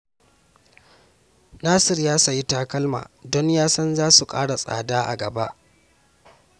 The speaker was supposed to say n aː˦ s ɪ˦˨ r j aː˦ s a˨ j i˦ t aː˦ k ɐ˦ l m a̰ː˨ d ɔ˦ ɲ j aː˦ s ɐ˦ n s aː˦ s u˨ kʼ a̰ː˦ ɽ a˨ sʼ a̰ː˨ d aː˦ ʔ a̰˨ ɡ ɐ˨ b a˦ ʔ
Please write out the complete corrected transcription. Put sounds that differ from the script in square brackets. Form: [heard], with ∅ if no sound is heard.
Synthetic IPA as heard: n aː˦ s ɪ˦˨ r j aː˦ s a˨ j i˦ t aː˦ k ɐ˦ l m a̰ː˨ d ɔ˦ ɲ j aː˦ s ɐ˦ n [z] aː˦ s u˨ kʼ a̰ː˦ ɽ a˨ sʼ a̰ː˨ d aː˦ ʔ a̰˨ ɡ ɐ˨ b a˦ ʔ